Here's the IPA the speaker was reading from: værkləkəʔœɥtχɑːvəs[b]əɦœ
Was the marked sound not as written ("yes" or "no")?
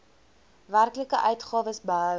no